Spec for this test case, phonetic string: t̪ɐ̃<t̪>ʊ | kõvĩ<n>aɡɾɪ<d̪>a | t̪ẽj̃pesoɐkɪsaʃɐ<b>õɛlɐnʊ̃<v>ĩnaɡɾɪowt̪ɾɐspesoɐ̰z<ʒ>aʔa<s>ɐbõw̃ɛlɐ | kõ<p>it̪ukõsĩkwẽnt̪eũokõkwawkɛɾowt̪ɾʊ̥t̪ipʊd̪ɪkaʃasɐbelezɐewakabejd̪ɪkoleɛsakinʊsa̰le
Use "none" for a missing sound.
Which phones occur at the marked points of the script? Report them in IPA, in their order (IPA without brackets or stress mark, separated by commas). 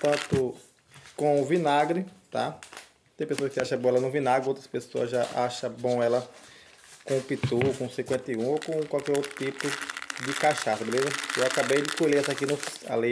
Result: t̪, n, t̪, b, v, ʒ, ʃ, p